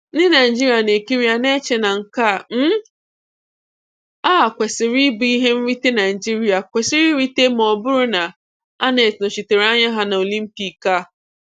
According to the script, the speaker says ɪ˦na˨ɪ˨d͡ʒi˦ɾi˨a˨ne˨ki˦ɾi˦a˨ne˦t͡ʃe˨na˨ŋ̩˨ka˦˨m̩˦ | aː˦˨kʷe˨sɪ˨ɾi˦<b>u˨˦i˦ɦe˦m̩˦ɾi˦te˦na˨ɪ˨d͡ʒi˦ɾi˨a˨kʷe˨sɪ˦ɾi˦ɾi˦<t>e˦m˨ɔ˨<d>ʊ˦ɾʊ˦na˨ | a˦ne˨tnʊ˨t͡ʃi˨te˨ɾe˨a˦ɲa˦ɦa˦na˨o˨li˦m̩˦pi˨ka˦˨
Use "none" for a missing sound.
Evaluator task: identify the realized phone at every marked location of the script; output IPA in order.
b, t, b

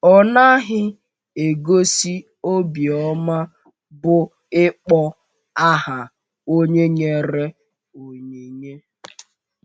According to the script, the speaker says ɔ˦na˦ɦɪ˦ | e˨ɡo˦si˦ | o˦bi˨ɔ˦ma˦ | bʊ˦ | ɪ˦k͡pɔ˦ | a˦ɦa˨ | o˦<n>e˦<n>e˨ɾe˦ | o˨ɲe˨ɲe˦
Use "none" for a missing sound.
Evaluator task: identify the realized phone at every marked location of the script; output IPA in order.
ɲ, ɲ

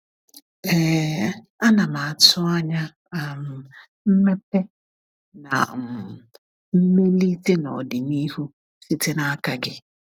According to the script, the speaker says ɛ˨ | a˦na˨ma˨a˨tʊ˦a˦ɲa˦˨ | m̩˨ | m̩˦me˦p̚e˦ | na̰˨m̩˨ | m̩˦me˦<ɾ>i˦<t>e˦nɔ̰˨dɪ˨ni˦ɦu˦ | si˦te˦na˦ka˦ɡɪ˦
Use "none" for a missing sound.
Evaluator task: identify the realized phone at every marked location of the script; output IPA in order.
l, t

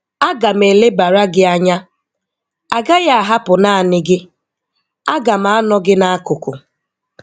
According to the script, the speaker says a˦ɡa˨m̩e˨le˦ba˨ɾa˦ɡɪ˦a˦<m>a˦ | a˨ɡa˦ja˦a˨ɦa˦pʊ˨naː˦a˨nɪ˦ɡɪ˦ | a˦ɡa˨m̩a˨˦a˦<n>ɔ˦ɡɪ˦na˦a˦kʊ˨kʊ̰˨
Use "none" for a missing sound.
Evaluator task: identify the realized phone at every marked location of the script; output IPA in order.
ɲ, n

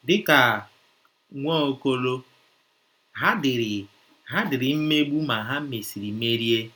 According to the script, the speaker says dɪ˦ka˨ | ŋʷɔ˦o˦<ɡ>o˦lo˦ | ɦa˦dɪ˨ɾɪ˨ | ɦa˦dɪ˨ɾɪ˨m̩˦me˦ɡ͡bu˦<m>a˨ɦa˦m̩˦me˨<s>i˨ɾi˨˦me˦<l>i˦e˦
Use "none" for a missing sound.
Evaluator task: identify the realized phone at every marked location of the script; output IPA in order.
k, m, s, ɾ

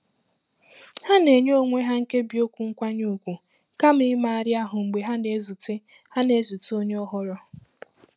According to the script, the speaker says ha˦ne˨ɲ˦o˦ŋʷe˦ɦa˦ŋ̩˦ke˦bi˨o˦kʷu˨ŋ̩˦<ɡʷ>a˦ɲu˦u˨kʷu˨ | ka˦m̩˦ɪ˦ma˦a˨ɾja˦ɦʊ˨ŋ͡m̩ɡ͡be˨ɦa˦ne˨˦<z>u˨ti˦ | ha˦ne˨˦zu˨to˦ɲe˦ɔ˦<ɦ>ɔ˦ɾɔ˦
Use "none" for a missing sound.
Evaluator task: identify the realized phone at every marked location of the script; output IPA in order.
kʷ, z, ɦ

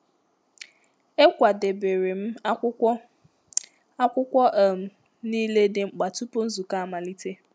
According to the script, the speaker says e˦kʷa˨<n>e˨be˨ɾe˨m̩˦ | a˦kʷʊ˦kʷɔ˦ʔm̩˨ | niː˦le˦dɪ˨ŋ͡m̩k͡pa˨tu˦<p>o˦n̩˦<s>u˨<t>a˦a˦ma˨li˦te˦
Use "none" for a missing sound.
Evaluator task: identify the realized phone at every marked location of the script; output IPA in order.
d, p, z, k

